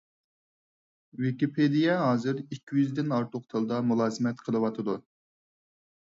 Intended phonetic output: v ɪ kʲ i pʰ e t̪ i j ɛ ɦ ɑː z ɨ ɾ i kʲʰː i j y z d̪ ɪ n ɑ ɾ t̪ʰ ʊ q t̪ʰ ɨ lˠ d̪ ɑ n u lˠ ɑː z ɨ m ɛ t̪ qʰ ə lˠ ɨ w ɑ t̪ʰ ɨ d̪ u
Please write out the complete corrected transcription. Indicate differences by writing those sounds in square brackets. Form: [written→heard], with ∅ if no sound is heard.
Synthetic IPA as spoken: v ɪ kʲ i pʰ e [t̪→d̪] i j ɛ ɦ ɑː z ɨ ɾ i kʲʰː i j y z d̪ ɪ n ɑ ɾ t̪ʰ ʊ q t̪ʰ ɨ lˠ d̪ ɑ [n→m] u lˠ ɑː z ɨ m ɛ t̪ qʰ ə lˠ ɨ w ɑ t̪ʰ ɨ d̪ u